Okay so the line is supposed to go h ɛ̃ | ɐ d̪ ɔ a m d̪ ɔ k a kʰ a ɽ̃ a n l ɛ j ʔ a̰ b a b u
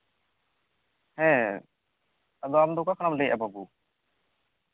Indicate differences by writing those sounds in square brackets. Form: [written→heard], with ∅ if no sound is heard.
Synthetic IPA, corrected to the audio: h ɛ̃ | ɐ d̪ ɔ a m d̪ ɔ k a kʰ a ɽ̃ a [n→m] l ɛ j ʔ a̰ b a b u